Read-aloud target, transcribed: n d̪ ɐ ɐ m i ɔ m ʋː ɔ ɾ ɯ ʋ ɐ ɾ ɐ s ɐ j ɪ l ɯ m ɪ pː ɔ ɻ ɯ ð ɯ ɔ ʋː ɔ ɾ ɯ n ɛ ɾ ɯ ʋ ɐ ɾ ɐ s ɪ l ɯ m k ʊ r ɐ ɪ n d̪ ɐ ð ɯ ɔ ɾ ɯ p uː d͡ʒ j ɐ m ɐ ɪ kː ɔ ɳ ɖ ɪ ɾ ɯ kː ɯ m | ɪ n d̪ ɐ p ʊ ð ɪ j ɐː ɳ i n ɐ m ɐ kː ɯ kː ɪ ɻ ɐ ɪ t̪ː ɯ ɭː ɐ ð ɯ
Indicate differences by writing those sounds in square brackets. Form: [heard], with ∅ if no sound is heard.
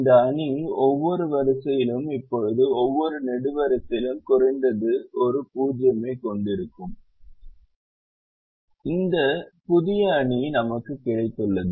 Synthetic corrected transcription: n d̪ ɐ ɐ [ɳ] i ɔ [∅] ʋː ɔ ɾ ɯ ʋ ɐ ɾ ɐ s ɐ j ɪ l ɯ m ɪ pː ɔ ɻ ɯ ð ɯ ɔ ʋː ɔ ɾ ɯ n ɛ [ɽ] ɯ ʋ ɐ ɾ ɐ s ɪ l ɯ m k ʊ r ɐ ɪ n d̪ ɐ ð ɯ ɔ ɾ ɯ p uː d͡ʒ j ɐ m ɐ ɪ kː ɔ ɳ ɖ ɪ ɾ ɯ kː ɯ m | ɪ n d̪ ɐ p ʊ ð ɪ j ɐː ɳ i n ɐ m ɐ kː ɯ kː ɪ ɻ ɐ ɪ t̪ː ɯ ɭː ɐ ð ɯ

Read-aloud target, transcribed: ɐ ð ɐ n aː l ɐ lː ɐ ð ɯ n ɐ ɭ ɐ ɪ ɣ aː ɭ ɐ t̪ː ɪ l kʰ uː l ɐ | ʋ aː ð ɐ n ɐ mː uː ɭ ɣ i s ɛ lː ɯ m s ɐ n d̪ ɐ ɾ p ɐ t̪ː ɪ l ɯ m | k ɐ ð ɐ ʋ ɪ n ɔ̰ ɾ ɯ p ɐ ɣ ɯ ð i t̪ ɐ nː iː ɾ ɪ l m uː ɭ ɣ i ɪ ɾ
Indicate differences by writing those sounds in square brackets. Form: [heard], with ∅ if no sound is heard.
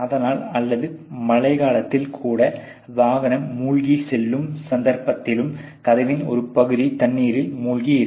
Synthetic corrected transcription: ɐ ð ɐ n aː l ɐ lː ɐ ð ɯ [m] ɐ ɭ ɐ ɪ ɣ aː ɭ ɐ t̪ː ɪ l kʰ uː [ɽ] ɐ | ʋ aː [ɣ] ɐ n ɐ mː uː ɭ ɣ i s ɛ lː ɯ m s ɐ n d̪ ɐ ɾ p ɐ t̪ː ɪ l ɯ m | k ɐ ð ɐ ʋ ɪ n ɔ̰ ɾ ɯ p ɐ ɣ ɯ ð i t̪ ɐ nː iː ɾ ɪ l m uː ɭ ɣ i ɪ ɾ

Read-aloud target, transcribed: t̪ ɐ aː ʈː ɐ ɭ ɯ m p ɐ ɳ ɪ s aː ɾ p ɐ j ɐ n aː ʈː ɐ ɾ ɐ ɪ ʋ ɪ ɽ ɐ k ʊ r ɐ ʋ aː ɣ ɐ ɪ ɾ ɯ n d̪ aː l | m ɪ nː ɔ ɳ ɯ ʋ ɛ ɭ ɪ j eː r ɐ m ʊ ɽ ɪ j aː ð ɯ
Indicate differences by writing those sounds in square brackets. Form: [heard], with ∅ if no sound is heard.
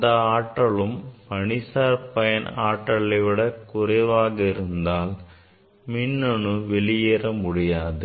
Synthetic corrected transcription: [d̪] ɐ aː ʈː ɐ ɭ ɯ m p ɐ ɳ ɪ s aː ɾ p ɐ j ɐ n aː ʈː ɐ [ɭ] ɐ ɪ ʋ ɪ ɽ ɐ k ʊ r ɐ ʋ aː ɣ ɐ ɪ ɾ ɯ n d̪ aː l | m ɪ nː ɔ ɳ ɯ ʋ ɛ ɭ ɪ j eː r ɐ m ʊ ɽ ɪ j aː ð ɯ

